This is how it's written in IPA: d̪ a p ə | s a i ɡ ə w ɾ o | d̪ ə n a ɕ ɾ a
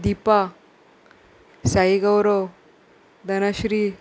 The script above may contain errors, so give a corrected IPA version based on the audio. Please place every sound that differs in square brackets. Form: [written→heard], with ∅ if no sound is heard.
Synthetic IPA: d̪ [a→i] p [ə→a] | s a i ɡ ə w ɾ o | d̪ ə n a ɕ ɾ [a→i]

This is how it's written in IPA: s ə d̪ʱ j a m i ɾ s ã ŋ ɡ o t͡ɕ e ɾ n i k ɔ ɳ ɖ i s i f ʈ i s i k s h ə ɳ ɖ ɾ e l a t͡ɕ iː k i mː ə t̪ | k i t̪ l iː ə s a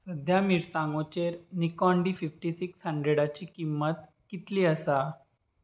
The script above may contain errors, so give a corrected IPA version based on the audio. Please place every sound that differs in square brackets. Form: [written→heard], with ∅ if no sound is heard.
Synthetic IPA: s ə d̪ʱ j a m i ɾ s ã ŋ ɡ o t͡ɕ e ɾ n i k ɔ ɳ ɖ i [s→f] i f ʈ i s i k s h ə ɳ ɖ ɾ e [l→ɽ] a t͡ɕ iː k i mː ə t̪ | k i t̪ l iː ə s a

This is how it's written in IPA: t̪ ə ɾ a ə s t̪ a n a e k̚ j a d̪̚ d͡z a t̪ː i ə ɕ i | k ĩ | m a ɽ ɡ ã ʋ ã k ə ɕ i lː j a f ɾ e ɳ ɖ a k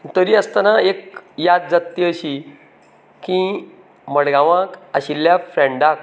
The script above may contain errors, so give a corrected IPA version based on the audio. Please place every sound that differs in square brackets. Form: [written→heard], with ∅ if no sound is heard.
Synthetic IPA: t̪ ə ɾ [a→i] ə s t̪ a n a e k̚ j a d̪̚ d͡z a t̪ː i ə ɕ i | k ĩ | m [a→ə] ɽ ɡ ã ʋ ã k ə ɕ i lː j a f ɾ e ɳ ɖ a k

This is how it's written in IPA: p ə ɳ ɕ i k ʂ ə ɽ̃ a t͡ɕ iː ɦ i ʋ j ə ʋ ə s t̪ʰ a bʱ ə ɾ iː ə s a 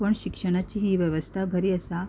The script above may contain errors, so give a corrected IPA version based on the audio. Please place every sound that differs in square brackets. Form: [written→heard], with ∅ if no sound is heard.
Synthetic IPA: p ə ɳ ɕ i k ʂ ə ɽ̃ a t͡ɕ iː ɦ i ʋ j ə ʋ ə s t̪ʰ a bʱ ə ɾ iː ə s a

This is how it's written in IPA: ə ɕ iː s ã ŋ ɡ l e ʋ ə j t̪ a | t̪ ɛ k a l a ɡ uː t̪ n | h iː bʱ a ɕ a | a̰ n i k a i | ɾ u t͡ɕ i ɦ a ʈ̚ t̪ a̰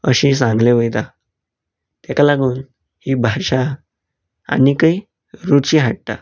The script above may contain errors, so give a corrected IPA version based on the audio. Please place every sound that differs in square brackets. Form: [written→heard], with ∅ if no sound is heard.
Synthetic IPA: ə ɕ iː s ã ŋ ɡ l e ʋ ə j t̪ a | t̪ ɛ k a l a ɡ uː [t̪→∅] n | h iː bʱ a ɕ a | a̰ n i k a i | ɾ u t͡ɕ i ɦ a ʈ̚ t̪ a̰

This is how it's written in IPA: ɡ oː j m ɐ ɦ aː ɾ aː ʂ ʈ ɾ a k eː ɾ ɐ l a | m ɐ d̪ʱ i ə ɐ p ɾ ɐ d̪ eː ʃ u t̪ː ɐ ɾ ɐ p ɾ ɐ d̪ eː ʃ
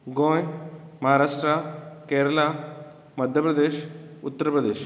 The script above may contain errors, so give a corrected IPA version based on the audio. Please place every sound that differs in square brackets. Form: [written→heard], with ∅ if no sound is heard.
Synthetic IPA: ɡ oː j m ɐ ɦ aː ɾ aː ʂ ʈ ɾ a k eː ɾ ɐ l a | m ɐ d̪ʱ [i→j] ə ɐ p ɾ ɐ d̪ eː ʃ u t̪ː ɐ ɾ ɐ p ɾ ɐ d̪ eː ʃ

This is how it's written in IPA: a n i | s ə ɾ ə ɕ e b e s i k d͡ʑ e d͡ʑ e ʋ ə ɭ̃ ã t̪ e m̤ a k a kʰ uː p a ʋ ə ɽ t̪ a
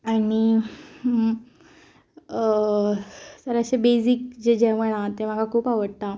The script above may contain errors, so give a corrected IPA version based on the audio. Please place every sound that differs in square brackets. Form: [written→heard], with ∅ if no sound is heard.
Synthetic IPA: a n i | s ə ɾ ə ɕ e b e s i k d͡ʑ e d͡ʑ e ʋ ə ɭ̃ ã t̪ e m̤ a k a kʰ uː p a ʋ ə ɽ t̪ a

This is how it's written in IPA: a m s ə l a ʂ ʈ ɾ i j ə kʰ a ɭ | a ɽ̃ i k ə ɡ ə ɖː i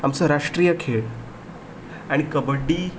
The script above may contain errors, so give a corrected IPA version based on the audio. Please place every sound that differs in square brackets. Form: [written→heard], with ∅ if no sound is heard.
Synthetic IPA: a m s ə [l→ɾ] a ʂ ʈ ɾ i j ə kʰ [a→e] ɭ | a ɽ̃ i k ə [ɡ→b] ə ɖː i

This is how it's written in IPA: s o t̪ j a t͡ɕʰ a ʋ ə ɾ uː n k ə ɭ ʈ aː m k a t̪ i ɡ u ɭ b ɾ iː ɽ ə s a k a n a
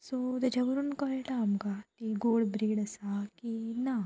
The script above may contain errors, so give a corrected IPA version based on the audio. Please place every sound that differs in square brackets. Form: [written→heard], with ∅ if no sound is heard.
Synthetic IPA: s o t̪ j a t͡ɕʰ a ʋ ə ɾ uː n k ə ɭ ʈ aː m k a t̪ i ɡ [u→o] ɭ b ɾ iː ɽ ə s a k [a→i] n a

